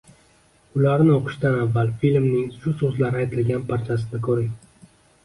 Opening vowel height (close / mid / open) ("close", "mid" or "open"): close